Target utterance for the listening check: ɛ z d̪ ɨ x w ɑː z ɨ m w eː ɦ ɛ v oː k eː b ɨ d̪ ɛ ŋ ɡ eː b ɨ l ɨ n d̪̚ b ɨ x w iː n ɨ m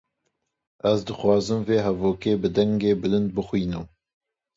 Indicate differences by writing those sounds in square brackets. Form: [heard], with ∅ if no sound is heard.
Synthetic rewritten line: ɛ z d̪ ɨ x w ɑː z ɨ m [v] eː ɦ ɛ v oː k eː b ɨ d̪ ɛ ŋ ɡ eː b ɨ l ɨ n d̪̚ b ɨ x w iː n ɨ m